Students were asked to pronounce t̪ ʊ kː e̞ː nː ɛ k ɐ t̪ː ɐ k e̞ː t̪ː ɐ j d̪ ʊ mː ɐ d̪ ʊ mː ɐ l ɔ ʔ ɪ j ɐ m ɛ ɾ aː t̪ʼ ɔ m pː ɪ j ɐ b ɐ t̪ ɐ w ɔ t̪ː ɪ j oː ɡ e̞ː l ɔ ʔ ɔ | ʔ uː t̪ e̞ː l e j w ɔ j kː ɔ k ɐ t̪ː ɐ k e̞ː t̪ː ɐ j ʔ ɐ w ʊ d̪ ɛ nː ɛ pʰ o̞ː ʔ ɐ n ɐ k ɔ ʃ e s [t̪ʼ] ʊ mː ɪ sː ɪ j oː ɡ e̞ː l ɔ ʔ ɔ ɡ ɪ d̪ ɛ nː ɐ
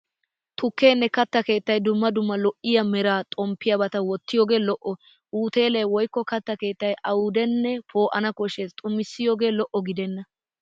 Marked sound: correct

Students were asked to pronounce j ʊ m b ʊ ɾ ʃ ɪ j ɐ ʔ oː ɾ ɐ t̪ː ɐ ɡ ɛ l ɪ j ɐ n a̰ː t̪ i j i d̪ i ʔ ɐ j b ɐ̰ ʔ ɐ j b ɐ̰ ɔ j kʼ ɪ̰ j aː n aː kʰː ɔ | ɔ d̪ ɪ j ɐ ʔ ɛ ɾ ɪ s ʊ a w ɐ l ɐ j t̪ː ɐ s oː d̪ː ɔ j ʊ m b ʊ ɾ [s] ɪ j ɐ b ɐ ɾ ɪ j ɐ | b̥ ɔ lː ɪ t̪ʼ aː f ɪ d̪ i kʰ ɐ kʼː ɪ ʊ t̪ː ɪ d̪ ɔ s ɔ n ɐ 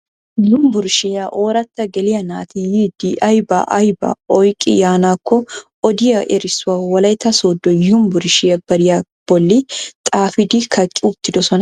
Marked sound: incorrect: ʃ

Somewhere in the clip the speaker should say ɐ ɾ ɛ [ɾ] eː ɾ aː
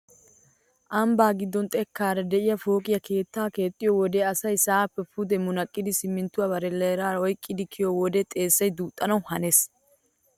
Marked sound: incorrect: l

